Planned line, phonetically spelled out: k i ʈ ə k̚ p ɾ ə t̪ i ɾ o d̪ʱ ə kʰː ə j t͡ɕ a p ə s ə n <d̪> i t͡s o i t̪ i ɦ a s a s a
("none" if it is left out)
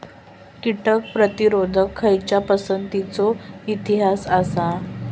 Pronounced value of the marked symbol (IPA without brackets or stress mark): t̪